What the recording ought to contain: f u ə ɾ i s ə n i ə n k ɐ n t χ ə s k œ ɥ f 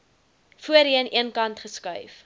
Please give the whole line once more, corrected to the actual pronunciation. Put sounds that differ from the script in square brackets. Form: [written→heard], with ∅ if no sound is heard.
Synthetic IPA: f u ə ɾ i [s→∅] ə n i ə n k ɐ n t χ ə s k œ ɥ f

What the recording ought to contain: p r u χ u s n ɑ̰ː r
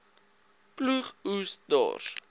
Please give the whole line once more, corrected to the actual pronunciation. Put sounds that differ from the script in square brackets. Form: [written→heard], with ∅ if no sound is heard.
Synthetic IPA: p [r→l] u χ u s [n→d] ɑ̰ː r

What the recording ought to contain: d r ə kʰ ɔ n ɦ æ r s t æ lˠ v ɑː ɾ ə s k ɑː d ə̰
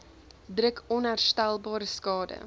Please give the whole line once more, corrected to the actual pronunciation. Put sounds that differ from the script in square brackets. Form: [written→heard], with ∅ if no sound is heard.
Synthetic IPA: d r ə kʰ ɔ n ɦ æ r s t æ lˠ [v→b] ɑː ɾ ə s k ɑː d ə̰

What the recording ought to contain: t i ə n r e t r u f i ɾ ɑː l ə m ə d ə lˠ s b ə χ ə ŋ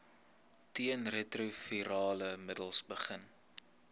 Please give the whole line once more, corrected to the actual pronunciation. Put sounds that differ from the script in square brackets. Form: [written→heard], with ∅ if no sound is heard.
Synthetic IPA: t i ə n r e t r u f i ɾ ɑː l ə m ə d ə lˠ s b ə χ ə [ŋ→n]

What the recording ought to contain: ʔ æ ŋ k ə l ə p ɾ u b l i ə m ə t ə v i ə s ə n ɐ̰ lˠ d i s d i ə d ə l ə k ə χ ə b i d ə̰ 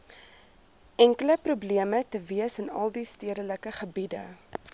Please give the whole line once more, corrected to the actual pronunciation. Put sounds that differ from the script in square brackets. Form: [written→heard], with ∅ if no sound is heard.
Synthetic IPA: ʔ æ ŋ k ə l ə p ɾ u b l i ə m ə t ə v i ə s ə n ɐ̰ lˠ d i s [d→t] i ə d ə l ə k ə χ ə b i d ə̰

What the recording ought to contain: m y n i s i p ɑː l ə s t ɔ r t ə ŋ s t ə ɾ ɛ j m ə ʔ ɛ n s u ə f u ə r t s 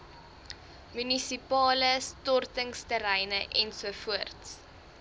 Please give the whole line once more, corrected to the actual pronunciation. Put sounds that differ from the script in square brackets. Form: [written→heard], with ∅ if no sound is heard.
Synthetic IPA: m y n i s i p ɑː l ə s t ɔ r t ə ŋ s t ə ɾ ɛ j [m→n] ə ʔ ɛ n s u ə f u ə r t s

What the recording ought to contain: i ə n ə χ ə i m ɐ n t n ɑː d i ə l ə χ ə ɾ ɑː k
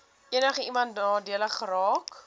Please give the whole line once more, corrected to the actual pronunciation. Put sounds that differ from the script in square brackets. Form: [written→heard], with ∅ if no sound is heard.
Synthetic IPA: i ə n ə χ ə i m ɐ n t n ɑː d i ə l ə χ ə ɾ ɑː k

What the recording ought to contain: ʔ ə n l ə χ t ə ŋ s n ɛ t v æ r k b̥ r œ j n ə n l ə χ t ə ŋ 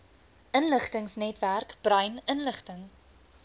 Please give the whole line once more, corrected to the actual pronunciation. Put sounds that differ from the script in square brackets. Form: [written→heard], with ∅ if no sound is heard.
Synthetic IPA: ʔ ə n l ə χ t ə ŋ s n ɛ t v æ r k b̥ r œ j n ə n l ə χ t ə ŋ

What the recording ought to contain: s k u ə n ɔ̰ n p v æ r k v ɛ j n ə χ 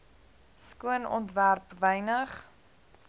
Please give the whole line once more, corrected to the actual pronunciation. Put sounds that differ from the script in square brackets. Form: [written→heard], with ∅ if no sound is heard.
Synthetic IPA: s k u ə n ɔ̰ n [p→t] v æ r [k→p] v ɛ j n ə χ

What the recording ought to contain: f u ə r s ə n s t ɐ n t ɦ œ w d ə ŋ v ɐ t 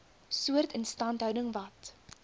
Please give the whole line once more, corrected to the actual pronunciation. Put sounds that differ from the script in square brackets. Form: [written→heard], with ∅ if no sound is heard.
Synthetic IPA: [f→s] u ə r [s→t] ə n s t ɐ n t ɦ œ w d ə ŋ v ɐ t

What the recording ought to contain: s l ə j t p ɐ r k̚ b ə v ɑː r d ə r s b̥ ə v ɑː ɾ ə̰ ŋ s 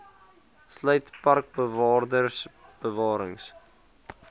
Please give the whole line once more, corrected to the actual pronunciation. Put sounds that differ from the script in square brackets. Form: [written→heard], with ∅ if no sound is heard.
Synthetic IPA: s l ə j t p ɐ r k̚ b ə v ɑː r d ə r s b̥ ə v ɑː ɾ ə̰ ŋ s

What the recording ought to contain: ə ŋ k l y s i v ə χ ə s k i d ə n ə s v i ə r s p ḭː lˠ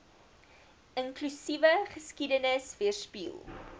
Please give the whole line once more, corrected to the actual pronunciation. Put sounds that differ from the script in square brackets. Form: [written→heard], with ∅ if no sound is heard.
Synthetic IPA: ə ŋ k l y s i v ə χ ə s k i d ə n ə s v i ə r s p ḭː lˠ

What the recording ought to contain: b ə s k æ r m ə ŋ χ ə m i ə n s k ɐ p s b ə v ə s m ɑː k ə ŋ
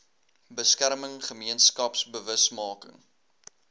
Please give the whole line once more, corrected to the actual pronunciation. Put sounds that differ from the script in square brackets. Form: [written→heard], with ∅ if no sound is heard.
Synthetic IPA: b ə s k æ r m ə ŋ χ ə m i ə n s k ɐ p s b ə v ə s m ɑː k ə ŋ

